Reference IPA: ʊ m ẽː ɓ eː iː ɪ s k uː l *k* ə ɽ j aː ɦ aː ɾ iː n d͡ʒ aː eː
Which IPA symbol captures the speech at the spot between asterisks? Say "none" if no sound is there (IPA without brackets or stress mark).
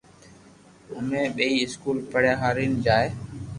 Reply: p